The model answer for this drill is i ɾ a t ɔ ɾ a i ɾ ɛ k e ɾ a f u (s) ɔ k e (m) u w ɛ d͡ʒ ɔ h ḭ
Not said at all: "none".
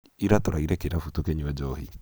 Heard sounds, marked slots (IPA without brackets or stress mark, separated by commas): t, ɲ